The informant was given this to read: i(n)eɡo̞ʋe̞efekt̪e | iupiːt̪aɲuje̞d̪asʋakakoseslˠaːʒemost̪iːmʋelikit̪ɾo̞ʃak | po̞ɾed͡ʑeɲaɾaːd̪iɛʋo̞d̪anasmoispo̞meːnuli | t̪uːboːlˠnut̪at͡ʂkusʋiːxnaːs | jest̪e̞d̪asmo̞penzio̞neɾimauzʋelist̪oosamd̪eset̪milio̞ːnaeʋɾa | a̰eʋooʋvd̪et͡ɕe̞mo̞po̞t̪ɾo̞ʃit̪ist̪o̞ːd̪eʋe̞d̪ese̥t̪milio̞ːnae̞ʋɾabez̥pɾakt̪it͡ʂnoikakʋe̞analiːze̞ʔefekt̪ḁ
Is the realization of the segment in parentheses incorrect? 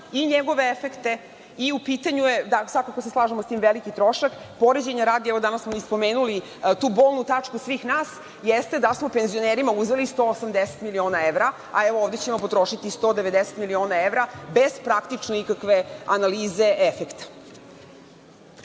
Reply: yes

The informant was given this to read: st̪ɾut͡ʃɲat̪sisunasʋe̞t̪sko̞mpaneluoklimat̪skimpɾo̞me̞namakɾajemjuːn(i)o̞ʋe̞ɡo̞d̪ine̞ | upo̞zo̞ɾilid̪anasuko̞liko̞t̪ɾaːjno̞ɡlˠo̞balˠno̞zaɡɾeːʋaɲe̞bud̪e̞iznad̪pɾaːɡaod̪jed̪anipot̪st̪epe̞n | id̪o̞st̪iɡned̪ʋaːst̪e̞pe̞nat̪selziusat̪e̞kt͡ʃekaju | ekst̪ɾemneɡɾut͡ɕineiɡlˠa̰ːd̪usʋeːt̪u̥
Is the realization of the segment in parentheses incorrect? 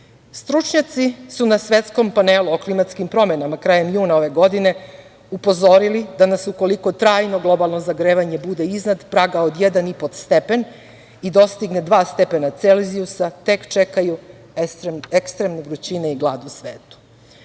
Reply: yes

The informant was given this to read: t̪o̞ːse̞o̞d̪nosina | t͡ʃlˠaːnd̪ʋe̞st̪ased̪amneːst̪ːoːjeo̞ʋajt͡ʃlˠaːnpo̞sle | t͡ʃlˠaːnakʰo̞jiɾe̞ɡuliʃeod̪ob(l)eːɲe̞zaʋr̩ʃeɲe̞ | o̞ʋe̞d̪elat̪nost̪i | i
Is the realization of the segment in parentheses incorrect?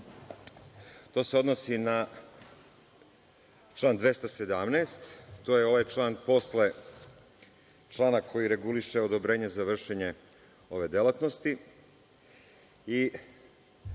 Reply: yes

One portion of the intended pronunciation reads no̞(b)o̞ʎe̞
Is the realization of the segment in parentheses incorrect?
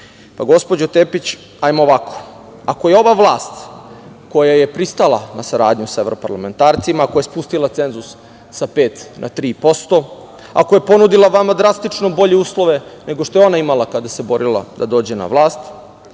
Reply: no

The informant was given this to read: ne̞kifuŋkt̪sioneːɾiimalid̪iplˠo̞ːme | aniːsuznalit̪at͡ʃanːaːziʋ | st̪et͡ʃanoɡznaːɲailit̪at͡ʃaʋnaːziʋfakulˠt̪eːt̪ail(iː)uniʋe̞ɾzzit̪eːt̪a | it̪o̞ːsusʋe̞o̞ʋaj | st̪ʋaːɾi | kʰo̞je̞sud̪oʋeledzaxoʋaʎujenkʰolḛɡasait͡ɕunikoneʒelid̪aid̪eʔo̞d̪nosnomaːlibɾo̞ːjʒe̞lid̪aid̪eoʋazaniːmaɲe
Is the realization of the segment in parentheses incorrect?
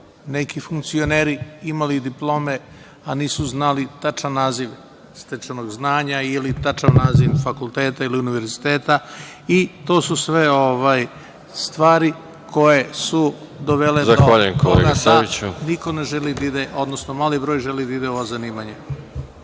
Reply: yes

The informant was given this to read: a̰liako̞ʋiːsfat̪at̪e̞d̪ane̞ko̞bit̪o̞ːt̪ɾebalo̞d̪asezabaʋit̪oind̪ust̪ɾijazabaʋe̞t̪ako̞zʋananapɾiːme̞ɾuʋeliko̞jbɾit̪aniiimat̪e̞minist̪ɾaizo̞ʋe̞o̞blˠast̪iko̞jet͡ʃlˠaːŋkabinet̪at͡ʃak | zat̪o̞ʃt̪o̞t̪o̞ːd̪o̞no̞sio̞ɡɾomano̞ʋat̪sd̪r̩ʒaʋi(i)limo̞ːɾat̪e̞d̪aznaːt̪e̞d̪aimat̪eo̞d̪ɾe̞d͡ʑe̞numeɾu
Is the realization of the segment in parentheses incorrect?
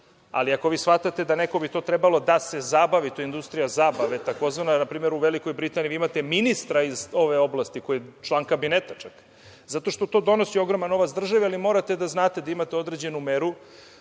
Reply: yes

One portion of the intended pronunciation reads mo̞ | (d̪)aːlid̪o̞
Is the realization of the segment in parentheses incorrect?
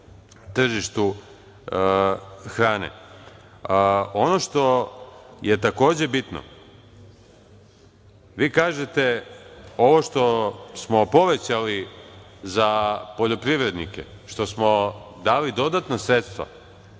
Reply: no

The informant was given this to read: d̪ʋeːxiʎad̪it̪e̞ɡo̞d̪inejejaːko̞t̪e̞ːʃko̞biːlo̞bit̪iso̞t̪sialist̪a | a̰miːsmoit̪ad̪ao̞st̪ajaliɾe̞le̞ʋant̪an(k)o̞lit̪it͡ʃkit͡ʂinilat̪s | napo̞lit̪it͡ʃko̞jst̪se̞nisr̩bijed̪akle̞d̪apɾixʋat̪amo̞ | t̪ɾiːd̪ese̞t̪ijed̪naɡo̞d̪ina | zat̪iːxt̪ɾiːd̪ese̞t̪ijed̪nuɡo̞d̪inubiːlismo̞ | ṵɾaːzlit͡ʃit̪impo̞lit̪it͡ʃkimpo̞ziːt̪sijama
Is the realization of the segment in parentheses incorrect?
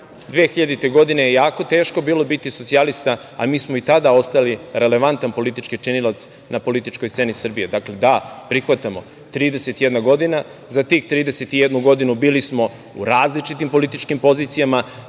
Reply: yes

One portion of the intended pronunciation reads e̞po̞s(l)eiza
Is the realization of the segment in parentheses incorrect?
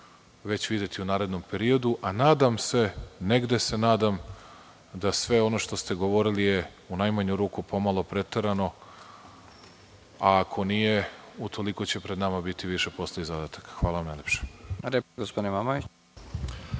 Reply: no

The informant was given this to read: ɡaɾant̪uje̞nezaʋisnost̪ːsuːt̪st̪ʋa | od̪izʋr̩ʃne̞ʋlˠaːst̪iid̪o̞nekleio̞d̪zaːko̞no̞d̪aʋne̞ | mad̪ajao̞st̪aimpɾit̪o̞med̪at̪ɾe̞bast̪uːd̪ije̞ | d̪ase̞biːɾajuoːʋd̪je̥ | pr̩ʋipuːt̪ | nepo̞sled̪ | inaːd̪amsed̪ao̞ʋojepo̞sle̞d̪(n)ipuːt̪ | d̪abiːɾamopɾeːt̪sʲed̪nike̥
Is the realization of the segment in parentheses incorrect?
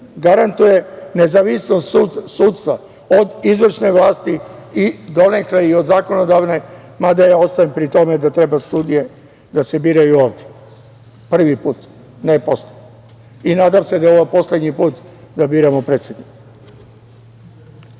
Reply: yes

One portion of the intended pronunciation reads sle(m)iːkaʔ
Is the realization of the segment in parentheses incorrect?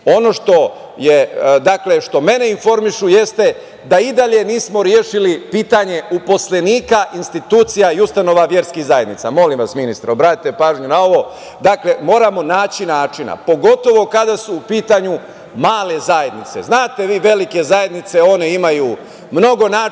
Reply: yes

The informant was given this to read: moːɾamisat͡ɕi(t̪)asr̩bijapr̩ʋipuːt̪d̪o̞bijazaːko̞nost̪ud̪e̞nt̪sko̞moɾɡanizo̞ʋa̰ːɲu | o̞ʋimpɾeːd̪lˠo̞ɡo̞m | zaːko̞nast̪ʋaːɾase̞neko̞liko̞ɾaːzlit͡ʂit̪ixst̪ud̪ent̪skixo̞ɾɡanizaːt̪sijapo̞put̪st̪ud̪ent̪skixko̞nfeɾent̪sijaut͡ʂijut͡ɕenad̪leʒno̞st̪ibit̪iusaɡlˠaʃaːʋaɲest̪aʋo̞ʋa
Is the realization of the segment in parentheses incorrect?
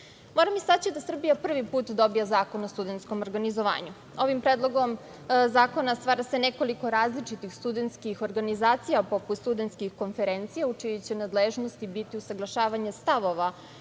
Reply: yes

